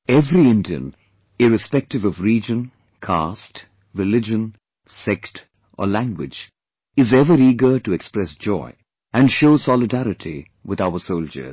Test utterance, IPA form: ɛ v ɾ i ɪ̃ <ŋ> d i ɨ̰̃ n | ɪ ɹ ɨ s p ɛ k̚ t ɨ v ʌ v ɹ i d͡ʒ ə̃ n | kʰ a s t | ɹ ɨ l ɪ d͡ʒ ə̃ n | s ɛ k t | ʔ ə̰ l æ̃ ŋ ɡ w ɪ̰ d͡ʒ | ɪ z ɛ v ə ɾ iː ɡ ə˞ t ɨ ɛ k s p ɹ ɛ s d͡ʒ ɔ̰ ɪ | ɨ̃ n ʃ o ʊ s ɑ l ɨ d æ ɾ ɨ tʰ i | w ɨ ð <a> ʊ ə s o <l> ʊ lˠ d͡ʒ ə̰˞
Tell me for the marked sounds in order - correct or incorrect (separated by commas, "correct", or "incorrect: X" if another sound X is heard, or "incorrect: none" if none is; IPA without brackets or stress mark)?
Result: incorrect: n, correct, incorrect: none